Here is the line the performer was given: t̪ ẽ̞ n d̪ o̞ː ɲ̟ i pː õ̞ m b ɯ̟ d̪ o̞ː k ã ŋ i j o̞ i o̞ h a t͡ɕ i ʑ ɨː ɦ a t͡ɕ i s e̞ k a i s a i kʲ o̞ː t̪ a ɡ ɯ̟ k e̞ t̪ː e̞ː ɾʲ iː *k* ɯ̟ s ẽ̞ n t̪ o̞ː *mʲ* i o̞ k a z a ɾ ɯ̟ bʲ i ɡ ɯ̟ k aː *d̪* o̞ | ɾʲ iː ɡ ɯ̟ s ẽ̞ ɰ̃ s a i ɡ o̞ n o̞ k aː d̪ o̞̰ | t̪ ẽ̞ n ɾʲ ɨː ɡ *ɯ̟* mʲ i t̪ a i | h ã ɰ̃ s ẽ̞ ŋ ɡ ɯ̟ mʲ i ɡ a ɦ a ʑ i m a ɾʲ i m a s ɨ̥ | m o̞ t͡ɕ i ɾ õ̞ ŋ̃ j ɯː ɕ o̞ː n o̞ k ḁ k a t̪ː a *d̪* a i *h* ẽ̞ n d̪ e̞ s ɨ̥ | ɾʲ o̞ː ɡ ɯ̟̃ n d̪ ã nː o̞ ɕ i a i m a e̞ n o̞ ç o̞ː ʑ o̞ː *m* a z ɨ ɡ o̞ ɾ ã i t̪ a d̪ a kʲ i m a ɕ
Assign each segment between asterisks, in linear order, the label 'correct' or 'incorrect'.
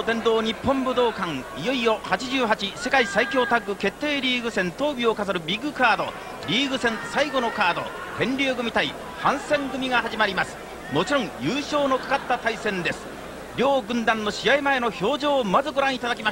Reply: incorrect, incorrect, correct, correct, incorrect, incorrect, correct

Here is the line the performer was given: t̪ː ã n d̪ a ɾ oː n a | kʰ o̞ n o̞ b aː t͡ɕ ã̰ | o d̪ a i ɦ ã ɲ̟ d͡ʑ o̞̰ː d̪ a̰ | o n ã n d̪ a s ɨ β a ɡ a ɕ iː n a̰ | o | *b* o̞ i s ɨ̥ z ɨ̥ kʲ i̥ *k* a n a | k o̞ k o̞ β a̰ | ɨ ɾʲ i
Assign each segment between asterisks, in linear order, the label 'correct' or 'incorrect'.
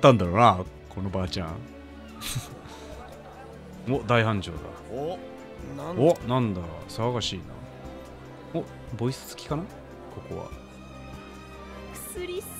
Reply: correct, correct

